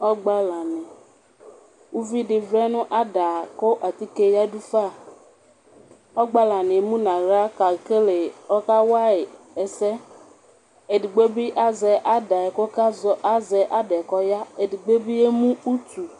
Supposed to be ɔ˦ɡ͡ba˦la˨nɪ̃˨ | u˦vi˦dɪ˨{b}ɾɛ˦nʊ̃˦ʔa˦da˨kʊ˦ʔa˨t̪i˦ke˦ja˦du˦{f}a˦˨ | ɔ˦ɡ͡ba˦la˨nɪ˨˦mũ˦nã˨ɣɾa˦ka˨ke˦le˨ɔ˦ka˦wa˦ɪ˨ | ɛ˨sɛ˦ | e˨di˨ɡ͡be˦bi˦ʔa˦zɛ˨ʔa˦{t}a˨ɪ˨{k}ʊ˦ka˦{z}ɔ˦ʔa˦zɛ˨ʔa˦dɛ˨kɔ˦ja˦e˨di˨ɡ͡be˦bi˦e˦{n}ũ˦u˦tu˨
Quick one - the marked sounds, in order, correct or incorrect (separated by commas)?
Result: incorrect, correct, incorrect, correct, correct, incorrect